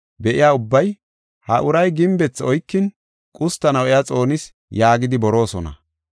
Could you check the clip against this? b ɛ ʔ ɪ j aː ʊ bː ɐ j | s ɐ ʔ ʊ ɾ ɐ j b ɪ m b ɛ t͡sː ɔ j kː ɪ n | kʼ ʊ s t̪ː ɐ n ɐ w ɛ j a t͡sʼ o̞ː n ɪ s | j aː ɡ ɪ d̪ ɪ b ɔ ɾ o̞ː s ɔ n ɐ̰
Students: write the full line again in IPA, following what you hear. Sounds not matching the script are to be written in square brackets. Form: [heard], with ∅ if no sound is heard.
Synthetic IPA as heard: b ɛ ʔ ɪ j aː ʊ bː ɐ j | [h] ɐ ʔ ʊ ɾ ɐ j [ɡ] ɪ m b ɛ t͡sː ɔ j kː ɪ n | kʼ ʊ s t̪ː ɐ n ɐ w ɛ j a t͡sʼ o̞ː n ɪ s | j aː ɡ ɪ d̪ ɪ b ɔ ɾ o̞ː s ɔ n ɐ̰